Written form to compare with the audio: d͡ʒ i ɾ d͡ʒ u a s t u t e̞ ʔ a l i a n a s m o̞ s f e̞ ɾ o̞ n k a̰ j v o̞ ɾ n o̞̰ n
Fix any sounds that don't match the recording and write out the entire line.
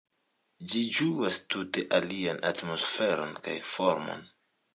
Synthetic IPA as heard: d͡ʒ i d͡ʒ u a s t u t e̞ ʔ a l i a n a t m o̞ s f e̞ ɾ o̞ n k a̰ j f o̞ ɾ m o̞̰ n